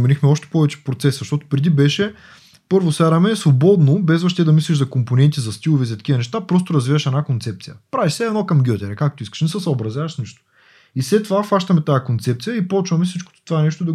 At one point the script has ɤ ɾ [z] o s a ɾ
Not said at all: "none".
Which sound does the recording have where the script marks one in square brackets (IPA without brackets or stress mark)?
v